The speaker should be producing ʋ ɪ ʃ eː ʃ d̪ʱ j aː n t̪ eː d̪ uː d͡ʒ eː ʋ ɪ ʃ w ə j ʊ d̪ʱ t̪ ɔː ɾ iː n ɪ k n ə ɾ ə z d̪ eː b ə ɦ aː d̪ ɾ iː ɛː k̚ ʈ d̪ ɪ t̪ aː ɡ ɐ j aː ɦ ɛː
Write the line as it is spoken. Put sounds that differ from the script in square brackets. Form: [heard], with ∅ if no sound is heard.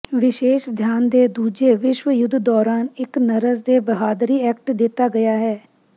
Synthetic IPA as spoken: ʋ ɪ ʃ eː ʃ d̪ʱ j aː n [d̪] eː d̪ uː d͡ʒ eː ʋ ɪ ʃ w ə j ʊ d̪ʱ [d̪] ɔː ɾ [aː] n ɪ k n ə ɾ ə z d̪ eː b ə ɦ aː d̪ ɾ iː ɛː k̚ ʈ d̪ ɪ t̪ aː ɡ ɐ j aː ɦ ɛː